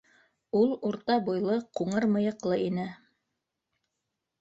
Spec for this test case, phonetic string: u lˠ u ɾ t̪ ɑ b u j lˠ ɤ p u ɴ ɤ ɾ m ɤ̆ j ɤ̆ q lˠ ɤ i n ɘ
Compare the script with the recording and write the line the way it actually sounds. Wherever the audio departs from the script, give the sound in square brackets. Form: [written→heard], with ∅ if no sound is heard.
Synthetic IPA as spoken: u lˠ u ɾ t̪ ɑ b u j lˠ ɤ [p→q] u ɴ ɤ ɾ m ɤ̆ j ɤ̆ q lˠ ɤ i n ɘ

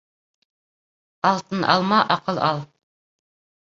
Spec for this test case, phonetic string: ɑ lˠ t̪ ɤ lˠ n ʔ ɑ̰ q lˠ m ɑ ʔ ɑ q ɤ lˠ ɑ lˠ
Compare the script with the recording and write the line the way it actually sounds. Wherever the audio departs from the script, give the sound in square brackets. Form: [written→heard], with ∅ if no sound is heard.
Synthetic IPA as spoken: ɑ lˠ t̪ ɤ [lˠ→∅] n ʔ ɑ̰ [q→∅] lˠ m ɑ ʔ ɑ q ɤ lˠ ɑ lˠ

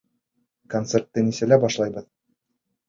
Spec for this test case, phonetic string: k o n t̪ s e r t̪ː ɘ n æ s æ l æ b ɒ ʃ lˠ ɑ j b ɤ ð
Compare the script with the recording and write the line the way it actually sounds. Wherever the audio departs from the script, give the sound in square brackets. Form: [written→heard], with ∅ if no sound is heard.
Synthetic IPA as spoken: k o n t̪ s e r t̪ː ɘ n [æ→i] s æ l æ b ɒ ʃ lˠ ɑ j b ɤ ð

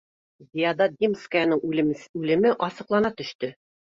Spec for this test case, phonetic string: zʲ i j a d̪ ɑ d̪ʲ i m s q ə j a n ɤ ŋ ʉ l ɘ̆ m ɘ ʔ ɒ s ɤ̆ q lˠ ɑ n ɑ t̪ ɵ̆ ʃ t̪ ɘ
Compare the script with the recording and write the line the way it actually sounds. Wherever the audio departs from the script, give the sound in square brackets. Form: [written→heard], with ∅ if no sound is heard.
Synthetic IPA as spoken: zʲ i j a d̪ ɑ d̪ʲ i m s [q→k] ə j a n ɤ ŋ ʉ l ɘ̆ m ɘ ʔ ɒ s ɤ̆ q lˠ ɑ n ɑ t̪ ɵ̆ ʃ t̪ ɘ

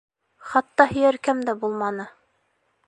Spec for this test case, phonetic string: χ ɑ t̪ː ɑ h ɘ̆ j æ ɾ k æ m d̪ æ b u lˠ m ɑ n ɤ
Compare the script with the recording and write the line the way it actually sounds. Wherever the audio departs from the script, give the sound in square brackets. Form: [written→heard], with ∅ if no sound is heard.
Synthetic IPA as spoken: χ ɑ t̪ː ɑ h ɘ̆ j æ ɾ k æ m d̪ æ b u lˠ m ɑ n ɤ

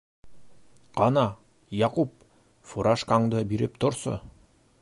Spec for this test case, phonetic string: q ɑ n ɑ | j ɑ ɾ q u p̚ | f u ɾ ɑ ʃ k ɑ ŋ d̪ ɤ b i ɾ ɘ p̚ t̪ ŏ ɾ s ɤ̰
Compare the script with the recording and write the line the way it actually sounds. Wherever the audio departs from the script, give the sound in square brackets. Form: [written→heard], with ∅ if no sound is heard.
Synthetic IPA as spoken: q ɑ n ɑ | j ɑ [ɾ→∅] q u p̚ | f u ɾ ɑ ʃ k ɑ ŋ d̪ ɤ b i ɾ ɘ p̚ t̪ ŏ ɾ s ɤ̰

